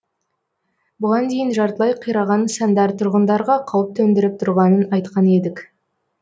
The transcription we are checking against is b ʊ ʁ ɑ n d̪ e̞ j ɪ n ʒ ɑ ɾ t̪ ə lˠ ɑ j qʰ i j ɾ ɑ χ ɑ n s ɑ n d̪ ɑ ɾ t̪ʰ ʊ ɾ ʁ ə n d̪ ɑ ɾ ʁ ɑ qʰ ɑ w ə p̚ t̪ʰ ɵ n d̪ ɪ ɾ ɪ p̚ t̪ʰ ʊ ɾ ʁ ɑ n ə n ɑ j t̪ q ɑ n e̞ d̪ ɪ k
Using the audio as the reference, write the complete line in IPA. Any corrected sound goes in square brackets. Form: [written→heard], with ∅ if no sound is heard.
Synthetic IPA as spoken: b ʊ ʁ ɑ n d̪ e̞ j ɪ n ʒ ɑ ɾ t̪ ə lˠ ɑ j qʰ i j ɾ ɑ [χ→ʁ] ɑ n s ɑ n d̪ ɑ ɾ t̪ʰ ʊ ɾ ʁ ə n d̪ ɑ ɾ ʁ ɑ qʰ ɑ w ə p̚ t̪ʰ ɵ n d̪ ɪ ɾ ɪ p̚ t̪ʰ ʊ ɾ ʁ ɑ n ə n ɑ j t̪ q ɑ n e̞ d̪ ɪ k

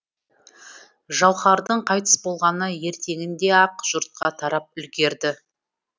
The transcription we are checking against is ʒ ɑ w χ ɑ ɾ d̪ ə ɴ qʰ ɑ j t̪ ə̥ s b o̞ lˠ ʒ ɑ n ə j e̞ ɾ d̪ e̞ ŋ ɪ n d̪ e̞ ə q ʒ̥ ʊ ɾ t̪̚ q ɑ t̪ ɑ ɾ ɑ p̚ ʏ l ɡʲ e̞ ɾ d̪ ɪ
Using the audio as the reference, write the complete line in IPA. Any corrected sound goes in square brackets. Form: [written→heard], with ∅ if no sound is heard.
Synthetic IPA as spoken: ʒ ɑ w χ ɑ ɾ d̪ ə ɴ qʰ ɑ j t̪ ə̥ s b o̞ lˠ [ʒ→ʁ] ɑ n ə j e̞ ɾ [d̪→t̪] e̞ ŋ ɪ n d̪ e̞ [ə→ɑ] q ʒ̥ ʊ ɾ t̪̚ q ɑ [t̪→t̪ʰ] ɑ ɾ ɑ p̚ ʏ l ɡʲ e̞ ɾ d̪ ɪ

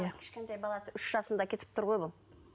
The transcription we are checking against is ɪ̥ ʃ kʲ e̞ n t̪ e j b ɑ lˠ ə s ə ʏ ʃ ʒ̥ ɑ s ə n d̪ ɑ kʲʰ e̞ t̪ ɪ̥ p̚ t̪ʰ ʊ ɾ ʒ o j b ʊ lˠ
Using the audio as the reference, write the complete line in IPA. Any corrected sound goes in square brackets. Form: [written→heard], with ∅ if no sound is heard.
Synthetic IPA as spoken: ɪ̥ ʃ kʲ e̞ n t̪ e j b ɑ lˠ [ə→ɑ] s ə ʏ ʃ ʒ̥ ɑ s ə n d̪ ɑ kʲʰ e̞ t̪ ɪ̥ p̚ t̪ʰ ʊ ɾ [ʒ→ʁ] o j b ʊ lˠ

